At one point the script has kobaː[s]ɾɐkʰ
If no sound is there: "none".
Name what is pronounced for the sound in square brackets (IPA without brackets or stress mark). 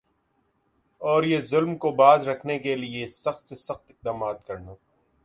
z